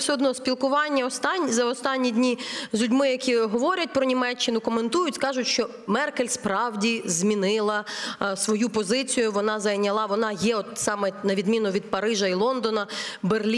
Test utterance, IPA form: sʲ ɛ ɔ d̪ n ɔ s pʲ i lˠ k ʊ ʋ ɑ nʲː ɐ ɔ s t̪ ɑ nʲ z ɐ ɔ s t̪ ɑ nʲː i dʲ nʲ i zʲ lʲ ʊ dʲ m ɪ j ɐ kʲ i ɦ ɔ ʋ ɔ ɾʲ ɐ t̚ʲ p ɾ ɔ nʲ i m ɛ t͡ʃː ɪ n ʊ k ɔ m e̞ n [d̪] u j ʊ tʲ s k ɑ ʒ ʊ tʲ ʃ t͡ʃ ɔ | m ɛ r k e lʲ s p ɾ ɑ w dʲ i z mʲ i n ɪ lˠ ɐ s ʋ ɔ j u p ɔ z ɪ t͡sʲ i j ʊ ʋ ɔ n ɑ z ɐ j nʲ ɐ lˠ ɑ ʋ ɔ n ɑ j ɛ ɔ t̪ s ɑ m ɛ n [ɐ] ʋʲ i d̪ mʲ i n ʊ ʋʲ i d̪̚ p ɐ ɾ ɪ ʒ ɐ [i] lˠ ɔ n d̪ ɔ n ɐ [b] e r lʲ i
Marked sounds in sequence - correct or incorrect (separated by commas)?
incorrect, correct, correct, correct